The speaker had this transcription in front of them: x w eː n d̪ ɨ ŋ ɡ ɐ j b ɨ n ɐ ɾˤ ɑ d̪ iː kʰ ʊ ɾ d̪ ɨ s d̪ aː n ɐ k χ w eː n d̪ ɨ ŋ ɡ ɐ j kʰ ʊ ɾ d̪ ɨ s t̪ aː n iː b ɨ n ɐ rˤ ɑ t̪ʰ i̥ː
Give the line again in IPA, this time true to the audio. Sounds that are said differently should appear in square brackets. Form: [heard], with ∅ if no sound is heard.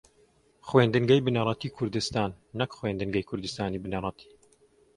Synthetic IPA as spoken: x w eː n d̪ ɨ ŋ ɡ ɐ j b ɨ n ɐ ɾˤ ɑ [t̪] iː kʰ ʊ ɾ d̪ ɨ s [t̪] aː [nː] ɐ k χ w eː n d̪ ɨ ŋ ɡ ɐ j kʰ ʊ ɾ d̪ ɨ s t̪ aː n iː b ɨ n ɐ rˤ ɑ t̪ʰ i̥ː